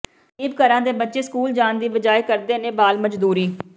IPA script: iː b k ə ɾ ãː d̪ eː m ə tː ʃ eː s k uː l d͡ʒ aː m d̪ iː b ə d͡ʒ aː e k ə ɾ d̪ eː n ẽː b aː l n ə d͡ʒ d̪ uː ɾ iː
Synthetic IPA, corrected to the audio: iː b k ə ɾ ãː d̪ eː b ə tː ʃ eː s k uː l d͡ʒ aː n d̪ iː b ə d͡ʒ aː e k ə ɾ d̪ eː n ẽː b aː l m ə d͡ʒ d̪ uː ɾ iː